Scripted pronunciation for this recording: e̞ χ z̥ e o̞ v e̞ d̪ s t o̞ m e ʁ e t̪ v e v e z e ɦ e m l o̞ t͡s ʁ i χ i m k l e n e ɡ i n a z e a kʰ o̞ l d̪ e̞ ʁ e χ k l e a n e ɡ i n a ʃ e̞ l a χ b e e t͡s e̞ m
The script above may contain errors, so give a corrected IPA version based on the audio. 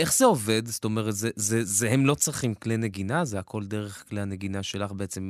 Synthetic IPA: e̞ χ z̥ e o̞ v e̞ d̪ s t o̞ m e ʁ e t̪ z e z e z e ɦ e m l o̞ t͡s ʁ i χ i m k l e n e ɡ i n a z e a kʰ o̞ l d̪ e̞ ʁ e χ k l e a n e ɡ i n a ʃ e̞ l a χ b e e t͡s e̞ m